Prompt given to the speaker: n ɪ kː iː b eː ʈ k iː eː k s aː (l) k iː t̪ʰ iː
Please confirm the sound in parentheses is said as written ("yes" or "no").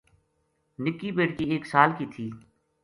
yes